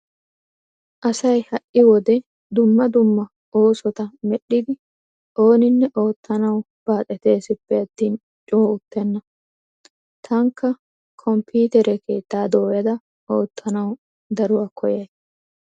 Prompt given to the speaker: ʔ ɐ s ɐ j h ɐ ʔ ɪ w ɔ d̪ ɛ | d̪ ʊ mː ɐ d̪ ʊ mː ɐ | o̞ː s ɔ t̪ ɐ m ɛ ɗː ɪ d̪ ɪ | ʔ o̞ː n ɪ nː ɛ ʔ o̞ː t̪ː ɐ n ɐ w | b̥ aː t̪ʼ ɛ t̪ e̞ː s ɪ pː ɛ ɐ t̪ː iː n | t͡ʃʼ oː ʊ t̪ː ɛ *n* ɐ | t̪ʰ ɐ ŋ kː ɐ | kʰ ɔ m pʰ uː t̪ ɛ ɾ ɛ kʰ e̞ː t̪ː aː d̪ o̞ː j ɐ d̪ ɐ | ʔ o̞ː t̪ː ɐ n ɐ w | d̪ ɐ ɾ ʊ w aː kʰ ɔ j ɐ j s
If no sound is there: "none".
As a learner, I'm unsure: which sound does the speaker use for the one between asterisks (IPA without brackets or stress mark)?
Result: nː